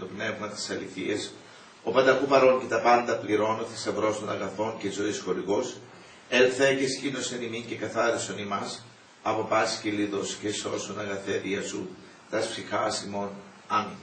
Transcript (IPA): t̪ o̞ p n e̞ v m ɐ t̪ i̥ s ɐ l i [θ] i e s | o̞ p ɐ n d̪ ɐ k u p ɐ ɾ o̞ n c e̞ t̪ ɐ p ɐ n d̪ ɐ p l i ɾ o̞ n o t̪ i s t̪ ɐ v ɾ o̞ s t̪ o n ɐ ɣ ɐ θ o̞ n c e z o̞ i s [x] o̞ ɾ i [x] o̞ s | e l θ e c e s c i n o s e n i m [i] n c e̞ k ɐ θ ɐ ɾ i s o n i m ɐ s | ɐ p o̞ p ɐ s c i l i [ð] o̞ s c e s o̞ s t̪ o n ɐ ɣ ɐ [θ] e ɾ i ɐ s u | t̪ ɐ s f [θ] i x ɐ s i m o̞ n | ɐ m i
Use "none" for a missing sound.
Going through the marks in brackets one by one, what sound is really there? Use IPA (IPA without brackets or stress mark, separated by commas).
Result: θ, x, ɣ, i, ð, θ, s